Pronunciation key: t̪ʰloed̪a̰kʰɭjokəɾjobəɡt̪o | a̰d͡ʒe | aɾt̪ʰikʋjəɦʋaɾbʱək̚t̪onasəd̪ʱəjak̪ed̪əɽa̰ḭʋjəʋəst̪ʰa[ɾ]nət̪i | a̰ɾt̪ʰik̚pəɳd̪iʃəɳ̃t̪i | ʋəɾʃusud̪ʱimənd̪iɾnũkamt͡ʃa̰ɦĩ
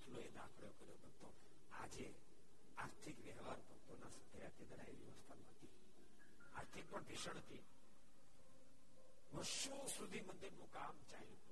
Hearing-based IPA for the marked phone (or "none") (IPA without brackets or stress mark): none